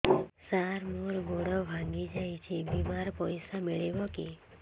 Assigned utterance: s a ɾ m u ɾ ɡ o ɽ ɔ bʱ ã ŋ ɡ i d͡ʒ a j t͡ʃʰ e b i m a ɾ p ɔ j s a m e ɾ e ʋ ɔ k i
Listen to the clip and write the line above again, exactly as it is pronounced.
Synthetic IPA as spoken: s a ɾ m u ɾ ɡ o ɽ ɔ bʱ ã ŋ ɡ i d͡ʒ a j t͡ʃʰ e b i m a ɾ p ɔ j s a m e ɭ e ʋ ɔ k i